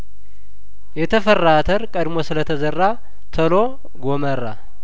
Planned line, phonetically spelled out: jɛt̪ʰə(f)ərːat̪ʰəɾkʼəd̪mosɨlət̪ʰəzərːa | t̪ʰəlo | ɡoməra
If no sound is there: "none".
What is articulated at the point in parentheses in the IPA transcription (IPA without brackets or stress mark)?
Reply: f